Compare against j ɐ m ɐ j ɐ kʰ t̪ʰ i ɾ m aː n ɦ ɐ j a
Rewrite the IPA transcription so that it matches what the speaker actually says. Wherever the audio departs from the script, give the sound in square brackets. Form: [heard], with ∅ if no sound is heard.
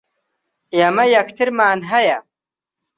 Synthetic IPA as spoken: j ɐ m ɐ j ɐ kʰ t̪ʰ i ɾ m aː n ɦ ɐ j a